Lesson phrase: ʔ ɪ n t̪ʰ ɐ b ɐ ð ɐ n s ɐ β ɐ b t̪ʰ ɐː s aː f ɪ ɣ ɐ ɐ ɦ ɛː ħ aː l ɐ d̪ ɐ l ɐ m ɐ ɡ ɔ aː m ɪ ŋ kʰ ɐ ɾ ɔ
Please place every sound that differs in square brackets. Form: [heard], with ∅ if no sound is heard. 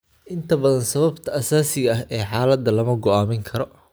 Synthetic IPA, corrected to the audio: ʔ ɪ n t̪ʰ ɐ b ɐ ð ɐ n s ɐ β ɐ b t̪ʰ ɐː s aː [s] ɪ ɣ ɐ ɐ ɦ ɛː ħ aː l ɐ d̪ ɐ l ɐ m ɐ ɡ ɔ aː m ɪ ŋ kʰ ɐ ɾ ɔ